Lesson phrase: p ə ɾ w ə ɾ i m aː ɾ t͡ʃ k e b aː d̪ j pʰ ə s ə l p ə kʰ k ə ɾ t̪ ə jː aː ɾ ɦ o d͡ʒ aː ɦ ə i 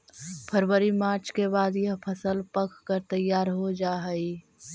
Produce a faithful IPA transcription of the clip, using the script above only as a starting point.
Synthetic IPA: pʰ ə ɾ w ə ɾ i m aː ɾ t͡ʃ k e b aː d̪ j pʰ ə s ə l p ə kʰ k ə ɾ t̪ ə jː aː ɾ ɦ o d͡ʒ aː ɦ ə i